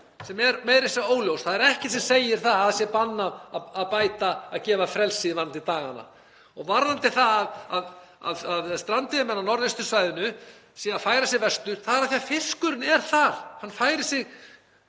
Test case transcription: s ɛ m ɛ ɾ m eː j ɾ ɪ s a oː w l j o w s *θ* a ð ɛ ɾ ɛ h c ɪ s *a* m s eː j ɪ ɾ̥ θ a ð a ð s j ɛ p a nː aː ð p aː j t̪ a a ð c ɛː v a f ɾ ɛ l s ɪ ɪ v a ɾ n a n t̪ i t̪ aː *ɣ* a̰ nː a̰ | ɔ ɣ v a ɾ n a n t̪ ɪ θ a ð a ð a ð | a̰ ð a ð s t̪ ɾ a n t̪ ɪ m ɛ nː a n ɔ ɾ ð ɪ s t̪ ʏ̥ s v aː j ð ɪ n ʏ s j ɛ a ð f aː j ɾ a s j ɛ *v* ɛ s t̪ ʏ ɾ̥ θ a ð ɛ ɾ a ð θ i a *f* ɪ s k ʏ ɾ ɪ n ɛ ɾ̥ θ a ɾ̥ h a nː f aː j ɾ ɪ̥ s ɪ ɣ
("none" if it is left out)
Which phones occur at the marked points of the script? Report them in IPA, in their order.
θ, ɛ, ɣ, v, f

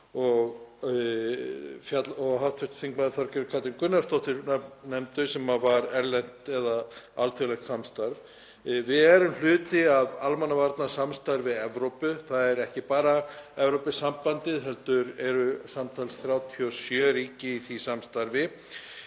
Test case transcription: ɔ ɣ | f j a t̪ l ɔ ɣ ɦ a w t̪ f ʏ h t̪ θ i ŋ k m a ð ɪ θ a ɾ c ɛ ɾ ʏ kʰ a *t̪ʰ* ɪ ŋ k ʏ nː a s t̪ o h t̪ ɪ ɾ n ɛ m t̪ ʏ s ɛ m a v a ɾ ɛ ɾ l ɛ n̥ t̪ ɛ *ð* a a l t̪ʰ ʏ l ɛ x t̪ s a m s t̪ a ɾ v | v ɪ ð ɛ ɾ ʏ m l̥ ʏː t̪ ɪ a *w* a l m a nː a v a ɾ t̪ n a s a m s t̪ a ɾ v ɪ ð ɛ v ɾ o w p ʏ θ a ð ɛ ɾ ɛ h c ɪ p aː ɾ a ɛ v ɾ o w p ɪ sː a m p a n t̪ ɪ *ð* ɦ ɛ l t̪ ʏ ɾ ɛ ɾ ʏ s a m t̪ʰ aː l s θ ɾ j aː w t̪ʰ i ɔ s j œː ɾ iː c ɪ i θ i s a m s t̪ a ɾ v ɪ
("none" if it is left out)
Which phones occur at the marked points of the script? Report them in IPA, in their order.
t̪, ð, v, ð

